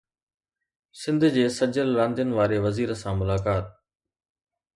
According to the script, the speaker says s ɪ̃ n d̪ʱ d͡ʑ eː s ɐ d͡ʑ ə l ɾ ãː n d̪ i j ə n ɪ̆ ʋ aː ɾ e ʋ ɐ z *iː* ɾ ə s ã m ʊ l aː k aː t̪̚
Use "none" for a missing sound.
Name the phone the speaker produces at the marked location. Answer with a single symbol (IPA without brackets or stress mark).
iː